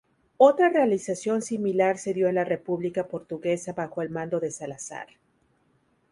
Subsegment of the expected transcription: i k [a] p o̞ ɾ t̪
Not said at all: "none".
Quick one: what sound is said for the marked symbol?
a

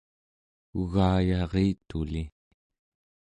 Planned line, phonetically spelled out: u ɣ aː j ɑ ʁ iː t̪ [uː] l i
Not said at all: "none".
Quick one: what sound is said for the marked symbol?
u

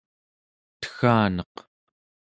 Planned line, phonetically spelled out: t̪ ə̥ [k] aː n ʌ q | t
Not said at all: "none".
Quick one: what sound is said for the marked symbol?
x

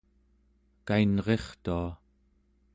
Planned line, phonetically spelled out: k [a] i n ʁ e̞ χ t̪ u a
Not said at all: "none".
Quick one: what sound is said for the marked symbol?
a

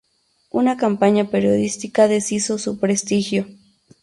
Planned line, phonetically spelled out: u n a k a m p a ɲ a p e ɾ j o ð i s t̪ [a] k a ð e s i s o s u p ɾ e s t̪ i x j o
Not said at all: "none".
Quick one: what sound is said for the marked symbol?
i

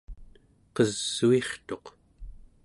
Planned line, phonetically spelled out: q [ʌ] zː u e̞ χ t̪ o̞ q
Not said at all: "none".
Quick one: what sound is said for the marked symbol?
ʌ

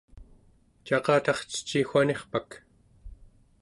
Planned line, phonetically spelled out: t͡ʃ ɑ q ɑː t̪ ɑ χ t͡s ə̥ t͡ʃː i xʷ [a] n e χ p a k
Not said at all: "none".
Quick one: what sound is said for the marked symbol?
a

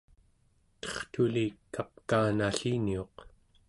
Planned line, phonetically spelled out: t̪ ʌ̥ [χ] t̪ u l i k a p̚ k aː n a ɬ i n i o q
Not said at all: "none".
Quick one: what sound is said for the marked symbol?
χ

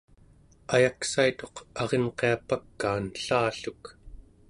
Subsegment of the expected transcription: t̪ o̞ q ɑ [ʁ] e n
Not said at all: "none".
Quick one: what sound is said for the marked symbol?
ʁ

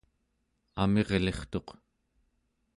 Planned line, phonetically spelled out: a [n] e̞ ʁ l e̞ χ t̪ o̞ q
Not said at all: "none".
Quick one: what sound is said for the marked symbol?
m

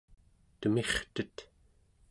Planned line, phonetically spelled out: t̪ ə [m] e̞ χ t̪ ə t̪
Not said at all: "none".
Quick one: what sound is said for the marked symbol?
m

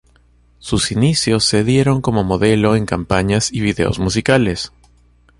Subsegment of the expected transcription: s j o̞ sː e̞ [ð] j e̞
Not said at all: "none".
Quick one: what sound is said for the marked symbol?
ð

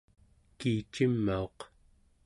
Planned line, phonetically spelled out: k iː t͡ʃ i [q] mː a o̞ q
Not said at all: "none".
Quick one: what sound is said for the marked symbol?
none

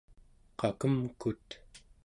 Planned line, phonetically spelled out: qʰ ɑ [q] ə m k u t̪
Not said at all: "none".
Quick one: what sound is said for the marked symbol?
k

